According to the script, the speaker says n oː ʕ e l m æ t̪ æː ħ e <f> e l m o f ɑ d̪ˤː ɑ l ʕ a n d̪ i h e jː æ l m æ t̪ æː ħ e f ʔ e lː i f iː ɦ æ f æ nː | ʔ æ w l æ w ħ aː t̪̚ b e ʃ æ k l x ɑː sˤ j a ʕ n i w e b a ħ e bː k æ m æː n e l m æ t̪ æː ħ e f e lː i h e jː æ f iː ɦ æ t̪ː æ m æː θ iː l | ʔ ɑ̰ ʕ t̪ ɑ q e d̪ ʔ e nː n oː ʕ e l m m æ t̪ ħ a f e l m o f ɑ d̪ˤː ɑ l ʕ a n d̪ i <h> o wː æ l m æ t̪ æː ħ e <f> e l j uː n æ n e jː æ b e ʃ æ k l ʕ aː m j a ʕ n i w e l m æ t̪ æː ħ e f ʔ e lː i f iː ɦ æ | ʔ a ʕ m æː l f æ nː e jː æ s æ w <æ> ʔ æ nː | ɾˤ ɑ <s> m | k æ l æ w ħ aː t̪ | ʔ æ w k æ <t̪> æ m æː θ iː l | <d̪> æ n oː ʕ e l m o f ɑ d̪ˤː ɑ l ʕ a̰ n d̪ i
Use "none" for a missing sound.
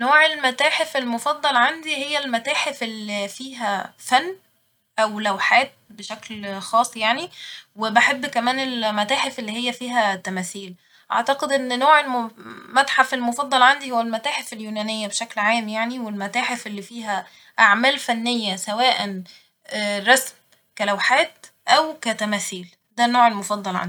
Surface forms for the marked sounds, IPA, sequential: f, h, f, æː, s, t̪, d̪

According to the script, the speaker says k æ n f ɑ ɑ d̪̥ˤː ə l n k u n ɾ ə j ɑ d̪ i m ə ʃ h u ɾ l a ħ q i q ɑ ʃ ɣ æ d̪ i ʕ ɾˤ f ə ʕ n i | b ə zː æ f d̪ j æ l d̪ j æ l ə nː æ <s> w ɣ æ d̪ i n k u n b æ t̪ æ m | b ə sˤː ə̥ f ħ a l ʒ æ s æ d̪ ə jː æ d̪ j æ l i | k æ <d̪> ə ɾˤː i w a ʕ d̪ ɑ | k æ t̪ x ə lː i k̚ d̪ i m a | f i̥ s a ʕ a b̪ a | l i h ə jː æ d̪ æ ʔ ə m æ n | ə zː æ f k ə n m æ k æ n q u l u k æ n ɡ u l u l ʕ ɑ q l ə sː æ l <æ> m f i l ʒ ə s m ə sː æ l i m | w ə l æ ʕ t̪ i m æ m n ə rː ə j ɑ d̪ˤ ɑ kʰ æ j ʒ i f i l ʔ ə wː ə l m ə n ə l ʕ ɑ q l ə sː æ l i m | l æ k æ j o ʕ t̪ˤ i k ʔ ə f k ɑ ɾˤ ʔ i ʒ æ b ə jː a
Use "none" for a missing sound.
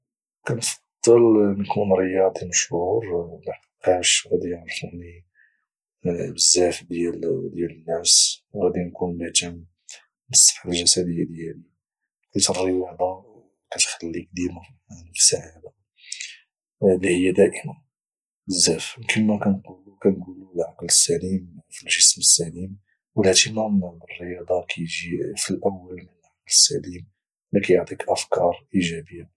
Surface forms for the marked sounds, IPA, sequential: s, t̪, i

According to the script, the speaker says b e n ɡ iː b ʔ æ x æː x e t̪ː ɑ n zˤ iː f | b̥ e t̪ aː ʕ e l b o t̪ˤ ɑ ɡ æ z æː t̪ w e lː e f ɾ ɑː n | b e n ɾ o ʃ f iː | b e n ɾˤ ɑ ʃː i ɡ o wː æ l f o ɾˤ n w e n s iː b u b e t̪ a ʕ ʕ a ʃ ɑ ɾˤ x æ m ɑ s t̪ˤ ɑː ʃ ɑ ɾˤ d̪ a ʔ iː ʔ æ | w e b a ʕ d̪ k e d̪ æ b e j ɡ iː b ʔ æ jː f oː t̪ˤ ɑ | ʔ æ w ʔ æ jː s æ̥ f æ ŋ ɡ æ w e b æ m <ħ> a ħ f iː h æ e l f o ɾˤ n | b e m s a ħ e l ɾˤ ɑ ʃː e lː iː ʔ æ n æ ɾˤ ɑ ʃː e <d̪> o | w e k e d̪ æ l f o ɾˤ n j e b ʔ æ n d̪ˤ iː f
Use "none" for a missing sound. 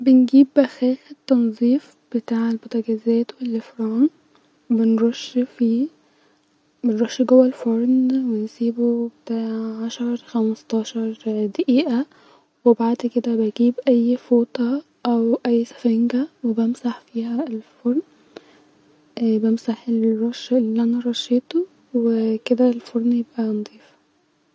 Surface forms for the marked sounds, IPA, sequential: s, t̪

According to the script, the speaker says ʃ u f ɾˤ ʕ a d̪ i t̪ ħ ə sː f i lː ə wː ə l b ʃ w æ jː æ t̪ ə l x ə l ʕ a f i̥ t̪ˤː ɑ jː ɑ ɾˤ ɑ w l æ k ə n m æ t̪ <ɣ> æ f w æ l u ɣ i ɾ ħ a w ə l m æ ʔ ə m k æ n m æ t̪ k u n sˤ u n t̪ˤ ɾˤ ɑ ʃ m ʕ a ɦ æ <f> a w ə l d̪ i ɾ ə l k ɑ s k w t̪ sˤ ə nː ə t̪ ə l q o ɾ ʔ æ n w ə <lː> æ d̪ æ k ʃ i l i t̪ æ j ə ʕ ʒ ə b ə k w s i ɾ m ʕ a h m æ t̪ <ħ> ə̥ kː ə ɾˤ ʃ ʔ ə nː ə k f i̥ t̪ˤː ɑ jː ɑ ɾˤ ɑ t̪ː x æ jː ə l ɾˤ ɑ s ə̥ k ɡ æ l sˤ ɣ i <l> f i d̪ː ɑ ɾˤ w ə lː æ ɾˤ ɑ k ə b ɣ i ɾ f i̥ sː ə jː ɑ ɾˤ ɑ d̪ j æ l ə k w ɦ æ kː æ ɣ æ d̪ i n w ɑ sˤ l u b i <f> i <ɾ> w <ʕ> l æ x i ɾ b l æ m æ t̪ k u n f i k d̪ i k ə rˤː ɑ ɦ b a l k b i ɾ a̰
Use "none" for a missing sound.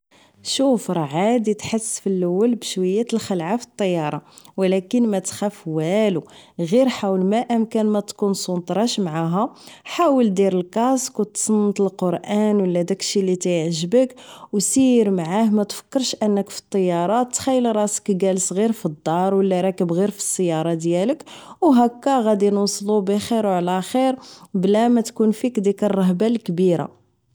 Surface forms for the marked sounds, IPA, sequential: x, ħ, lː, f, ɾ, x, ɾ, ʕ

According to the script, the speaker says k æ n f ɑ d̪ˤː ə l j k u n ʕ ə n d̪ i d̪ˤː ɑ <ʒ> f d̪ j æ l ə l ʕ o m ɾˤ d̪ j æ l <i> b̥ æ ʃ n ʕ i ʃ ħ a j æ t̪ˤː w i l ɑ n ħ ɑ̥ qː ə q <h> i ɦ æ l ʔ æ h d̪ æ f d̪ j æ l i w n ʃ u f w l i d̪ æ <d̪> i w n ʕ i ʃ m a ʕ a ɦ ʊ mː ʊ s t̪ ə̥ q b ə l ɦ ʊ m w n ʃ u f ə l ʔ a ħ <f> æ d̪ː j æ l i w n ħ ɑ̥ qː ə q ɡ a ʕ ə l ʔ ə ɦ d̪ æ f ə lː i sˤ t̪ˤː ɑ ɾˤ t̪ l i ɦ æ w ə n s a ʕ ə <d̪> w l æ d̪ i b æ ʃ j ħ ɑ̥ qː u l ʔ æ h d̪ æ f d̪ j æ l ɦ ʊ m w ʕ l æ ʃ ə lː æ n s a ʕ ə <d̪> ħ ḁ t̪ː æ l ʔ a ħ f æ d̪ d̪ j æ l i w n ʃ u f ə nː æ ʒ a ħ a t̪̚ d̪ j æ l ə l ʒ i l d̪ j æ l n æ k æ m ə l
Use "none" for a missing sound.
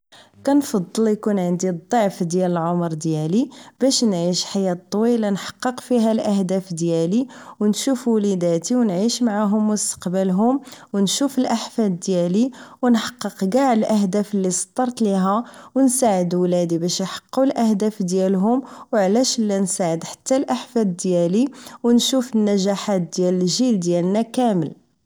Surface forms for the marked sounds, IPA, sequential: ʕ, i, f, t̪, f, d̪, d̪

